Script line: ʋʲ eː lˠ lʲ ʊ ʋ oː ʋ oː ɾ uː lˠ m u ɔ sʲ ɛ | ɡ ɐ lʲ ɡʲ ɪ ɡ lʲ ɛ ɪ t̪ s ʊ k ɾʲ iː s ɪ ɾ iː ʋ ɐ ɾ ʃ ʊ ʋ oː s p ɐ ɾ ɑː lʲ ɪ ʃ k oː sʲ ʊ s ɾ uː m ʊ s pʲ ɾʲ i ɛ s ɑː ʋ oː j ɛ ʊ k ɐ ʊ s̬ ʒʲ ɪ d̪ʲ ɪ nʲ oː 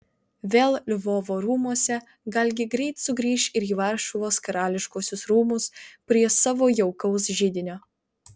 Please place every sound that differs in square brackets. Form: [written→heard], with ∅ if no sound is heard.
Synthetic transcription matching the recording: ʋʲ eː lˠ lʲ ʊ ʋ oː ʋ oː ɾ uː [lˠ→∅] m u ɔ sʲ ɛ | ɡ ɐ lʲ ɡʲ ɪ ɡ [lʲ→ɾʲ] ɛ ɪ t̪ s ʊ [k→ɡ] ɾʲ iː [s→ʃ] ɪ ɾ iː ʋ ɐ ɾ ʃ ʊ ʋ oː s [p→k] ɐ ɾ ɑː lʲ ɪ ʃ k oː sʲ ʊ s ɾ uː m ʊ s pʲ ɾʲ i ɛ s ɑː ʋ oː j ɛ ʊ k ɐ ʊ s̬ ʒʲ ɪ d̪ʲ ɪ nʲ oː